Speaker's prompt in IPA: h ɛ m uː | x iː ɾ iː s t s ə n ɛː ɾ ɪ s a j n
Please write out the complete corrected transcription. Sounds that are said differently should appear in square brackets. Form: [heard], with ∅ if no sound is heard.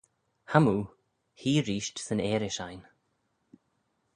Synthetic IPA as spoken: h [a] m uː | [h] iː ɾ iː [ʃ] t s ə n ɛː ɾ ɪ [ʃ] a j n